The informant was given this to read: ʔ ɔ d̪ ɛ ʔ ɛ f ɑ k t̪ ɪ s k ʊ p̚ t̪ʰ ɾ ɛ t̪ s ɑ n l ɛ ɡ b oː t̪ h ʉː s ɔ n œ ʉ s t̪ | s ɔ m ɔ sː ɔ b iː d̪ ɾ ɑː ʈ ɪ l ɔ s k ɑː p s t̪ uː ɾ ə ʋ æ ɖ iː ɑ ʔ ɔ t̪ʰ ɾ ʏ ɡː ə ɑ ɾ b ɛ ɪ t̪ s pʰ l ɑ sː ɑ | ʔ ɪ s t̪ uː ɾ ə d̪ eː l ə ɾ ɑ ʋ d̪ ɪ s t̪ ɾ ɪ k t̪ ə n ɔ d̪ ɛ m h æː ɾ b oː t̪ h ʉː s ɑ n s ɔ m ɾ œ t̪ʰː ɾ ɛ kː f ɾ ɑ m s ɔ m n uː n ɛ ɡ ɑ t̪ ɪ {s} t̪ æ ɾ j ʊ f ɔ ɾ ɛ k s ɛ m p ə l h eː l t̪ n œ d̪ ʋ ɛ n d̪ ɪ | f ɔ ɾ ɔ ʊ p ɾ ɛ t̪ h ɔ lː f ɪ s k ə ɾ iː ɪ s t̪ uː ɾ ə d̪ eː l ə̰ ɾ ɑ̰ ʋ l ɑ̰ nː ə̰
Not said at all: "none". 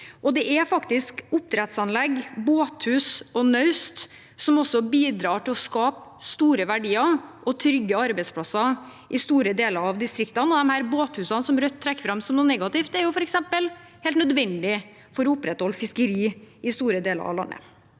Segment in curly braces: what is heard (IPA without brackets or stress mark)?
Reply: f